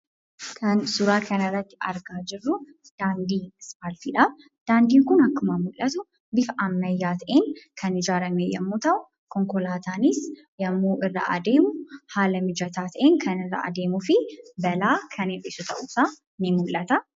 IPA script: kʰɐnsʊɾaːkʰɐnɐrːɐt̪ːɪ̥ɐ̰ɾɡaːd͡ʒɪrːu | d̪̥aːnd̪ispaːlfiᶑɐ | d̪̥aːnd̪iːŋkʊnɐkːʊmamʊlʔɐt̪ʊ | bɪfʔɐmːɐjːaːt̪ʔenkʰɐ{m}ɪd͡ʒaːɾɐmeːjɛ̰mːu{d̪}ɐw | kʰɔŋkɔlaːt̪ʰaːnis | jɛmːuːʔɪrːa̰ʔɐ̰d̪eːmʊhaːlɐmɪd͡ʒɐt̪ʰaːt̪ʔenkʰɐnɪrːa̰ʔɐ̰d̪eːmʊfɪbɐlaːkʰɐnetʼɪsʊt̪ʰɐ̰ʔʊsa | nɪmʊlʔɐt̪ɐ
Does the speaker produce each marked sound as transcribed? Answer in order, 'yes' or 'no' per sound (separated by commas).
no, no